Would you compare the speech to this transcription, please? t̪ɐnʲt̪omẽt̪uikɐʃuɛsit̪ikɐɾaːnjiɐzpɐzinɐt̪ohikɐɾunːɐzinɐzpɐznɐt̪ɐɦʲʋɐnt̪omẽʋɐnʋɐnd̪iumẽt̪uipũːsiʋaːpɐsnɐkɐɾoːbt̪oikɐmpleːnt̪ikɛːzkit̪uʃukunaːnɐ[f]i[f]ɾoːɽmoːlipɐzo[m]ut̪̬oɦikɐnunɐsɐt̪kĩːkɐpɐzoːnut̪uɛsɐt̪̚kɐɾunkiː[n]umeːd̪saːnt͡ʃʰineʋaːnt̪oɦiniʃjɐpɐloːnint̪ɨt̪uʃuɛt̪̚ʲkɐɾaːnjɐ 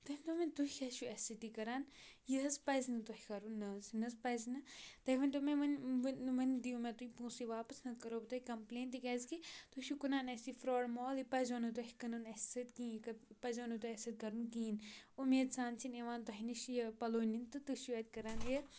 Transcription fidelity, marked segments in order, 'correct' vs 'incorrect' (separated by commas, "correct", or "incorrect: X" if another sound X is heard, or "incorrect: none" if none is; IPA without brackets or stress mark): incorrect: s, correct, incorrect: n, correct